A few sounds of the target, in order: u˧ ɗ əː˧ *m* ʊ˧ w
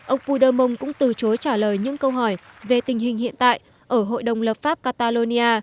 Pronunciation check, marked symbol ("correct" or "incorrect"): correct